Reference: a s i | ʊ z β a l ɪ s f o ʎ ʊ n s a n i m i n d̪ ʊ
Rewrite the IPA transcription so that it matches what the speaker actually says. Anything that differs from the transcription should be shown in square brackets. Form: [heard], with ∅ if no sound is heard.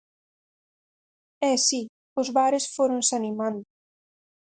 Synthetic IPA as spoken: [ɛ] s i | ʊ z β a [ɾ] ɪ s f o [ɾ] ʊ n s a n i m [a] n d̪ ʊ